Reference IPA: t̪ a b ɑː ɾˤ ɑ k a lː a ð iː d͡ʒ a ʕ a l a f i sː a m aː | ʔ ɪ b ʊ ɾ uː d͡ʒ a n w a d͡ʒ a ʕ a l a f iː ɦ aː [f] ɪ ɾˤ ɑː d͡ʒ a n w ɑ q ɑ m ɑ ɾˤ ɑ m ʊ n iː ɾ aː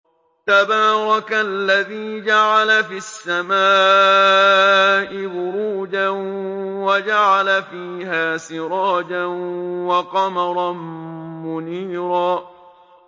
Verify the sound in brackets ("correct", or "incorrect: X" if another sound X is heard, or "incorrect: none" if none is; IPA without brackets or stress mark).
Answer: incorrect: s